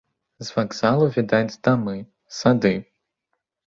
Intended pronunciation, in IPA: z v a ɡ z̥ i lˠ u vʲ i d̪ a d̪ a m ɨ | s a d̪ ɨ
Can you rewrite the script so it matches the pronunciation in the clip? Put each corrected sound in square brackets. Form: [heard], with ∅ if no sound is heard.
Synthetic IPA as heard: z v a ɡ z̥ [a] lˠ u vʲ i d̪ a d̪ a m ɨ | s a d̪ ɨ